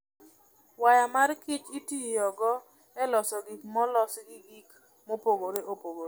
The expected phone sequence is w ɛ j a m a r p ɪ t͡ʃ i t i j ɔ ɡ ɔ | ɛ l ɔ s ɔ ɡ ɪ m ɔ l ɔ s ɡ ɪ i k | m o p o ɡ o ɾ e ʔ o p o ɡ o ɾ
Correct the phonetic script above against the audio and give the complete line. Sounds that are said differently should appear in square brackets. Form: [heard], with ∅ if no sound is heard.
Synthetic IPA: w [a] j a m a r [k] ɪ t͡ʃ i t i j ɔ ɡ ɔ | ɛ l ɔ s ɔ ɡ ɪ m ɔ l ɔ s ɡ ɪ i k | m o p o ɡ o ɾ e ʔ o p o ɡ o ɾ